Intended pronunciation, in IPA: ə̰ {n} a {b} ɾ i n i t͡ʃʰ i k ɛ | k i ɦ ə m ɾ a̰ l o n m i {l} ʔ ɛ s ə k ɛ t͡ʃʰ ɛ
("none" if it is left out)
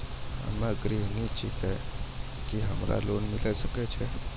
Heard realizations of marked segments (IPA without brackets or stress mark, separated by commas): m, ɡ, l